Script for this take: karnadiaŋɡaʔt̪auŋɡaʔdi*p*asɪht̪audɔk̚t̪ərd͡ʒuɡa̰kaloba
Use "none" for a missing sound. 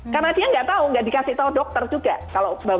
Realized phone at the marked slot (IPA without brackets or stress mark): k